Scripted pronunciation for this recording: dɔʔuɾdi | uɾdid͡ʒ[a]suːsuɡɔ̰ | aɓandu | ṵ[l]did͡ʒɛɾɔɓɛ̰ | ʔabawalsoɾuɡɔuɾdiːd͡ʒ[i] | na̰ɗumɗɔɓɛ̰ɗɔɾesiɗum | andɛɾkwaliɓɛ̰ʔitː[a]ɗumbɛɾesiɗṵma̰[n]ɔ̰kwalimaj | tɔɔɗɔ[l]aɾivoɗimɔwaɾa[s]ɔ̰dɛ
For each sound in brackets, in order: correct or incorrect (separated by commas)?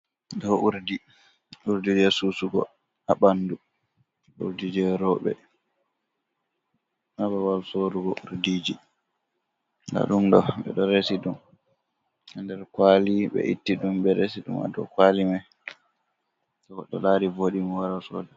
incorrect, incorrect, correct, incorrect, incorrect, correct, correct